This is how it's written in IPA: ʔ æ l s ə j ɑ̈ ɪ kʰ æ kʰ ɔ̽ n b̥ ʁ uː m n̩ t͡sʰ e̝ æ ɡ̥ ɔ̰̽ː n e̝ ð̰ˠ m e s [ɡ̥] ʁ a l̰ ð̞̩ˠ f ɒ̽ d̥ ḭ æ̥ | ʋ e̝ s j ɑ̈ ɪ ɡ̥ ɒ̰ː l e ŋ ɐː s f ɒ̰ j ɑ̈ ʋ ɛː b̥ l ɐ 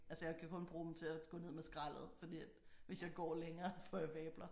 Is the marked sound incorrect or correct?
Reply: correct